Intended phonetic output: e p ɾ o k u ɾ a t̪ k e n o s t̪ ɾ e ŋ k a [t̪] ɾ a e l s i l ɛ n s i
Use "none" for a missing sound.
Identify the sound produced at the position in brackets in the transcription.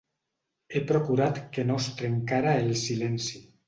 none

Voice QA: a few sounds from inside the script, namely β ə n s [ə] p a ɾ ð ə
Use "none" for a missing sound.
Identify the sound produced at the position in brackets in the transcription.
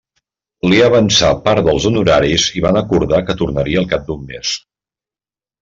a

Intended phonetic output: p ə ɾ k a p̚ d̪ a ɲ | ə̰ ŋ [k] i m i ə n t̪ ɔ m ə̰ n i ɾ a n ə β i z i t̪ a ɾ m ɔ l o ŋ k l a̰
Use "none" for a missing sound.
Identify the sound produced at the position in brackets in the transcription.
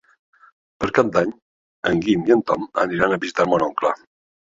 ɡ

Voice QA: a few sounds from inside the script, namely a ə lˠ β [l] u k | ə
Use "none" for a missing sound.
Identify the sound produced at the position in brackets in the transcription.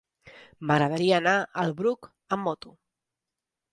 ɾ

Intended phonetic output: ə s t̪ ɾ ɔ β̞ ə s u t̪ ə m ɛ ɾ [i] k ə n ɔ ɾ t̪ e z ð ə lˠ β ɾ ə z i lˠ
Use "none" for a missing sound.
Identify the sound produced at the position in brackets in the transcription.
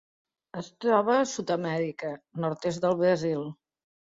i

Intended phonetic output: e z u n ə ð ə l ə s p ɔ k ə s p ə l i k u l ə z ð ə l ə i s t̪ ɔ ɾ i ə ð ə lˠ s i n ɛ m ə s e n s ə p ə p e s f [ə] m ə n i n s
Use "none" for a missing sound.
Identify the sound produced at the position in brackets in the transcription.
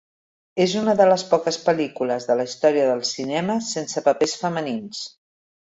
ə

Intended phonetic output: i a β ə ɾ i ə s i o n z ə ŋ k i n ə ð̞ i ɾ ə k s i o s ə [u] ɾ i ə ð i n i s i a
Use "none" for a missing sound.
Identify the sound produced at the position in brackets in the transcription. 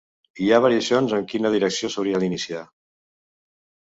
w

